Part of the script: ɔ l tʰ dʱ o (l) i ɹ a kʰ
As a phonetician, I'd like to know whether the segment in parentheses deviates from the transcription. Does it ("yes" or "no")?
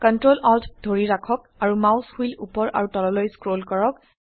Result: yes